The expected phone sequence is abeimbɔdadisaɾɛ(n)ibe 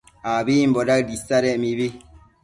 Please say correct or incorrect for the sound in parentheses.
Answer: incorrect